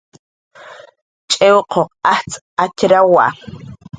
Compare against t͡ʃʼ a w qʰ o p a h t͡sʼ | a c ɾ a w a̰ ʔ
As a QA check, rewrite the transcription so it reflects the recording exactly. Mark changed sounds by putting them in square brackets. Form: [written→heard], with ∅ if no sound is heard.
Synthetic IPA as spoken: t͡ʃʼ [a→e] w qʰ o [p→q] a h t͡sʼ | a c ɾ a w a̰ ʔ

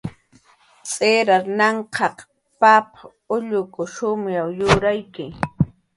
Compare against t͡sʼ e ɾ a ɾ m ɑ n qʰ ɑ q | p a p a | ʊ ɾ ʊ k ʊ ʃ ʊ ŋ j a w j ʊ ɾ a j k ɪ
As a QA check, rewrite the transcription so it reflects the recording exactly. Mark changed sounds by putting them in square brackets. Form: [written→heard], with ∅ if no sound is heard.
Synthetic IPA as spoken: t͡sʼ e ɾ a ɾ [m→n] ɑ [n→ɴ] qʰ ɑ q | p a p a | ʊ [ɾ→ʎ] ʊ k ʊ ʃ ʊ [ŋ→m] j a w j ʊ ɾ a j k ɪ

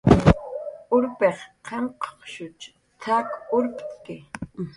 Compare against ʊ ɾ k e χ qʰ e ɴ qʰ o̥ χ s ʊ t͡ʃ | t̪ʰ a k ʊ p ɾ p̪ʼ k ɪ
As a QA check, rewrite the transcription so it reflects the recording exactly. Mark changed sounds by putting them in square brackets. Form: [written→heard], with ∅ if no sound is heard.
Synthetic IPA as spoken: ʊ ɾ [k→p] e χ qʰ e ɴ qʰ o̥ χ [s→ʃ] ʊ t͡ʃ | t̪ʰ a k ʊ [p→∅] ɾ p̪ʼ k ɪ

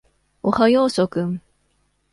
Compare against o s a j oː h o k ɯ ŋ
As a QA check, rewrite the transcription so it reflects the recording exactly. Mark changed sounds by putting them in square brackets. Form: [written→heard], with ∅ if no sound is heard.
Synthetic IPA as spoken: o [s→h] a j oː [h→s] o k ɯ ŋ

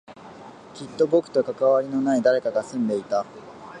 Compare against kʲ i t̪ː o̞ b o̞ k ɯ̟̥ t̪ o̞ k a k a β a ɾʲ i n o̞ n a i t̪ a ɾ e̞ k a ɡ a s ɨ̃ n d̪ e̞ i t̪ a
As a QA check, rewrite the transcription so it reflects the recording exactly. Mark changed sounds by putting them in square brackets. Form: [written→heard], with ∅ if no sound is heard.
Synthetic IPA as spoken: kʲ i t̪ː o̞ b o̞ k ɯ̟̥ t̪ o̞ k a k a β a ɾʲ i n o̞ n a i [t̪→d̪] a ɾ e̞ k a ɡ a s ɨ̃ n d̪ e̞ i t̪ a

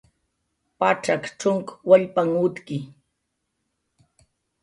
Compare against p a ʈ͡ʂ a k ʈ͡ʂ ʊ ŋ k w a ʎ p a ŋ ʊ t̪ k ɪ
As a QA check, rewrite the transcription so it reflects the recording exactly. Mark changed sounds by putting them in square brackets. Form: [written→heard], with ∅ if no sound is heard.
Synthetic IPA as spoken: p a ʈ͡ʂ a k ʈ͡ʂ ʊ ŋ k w a ʎ p a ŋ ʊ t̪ k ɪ

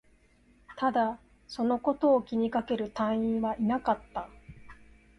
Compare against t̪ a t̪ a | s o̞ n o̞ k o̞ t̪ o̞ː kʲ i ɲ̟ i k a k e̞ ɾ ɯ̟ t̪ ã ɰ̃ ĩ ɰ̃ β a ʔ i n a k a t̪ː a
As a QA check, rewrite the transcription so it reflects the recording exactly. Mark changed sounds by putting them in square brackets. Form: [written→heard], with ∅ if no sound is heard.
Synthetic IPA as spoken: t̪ a [t̪→d̪] a | s o̞ n o̞ k o̞ t̪ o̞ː kʲ i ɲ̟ i k a k e̞ ɾ ɯ̟ t̪ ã ɰ̃ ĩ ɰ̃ β a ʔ i n a k a t̪ː a

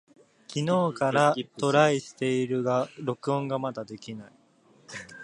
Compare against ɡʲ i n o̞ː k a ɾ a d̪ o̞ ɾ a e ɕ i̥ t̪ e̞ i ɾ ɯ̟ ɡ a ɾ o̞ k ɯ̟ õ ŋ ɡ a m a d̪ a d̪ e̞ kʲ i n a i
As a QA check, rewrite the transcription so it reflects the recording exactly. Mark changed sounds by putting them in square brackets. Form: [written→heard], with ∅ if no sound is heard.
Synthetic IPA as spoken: [ɡʲ→kʲ] i n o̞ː k a ɾ a [d̪→t̪] o̞ ɾ a [e→i] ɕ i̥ t̪ e̞ i ɾ ɯ̟ ɡ a ɾ o̞ k ɯ̟ õ ŋ ɡ a m a d̪ a d̪ e̞ kʲ i n a i

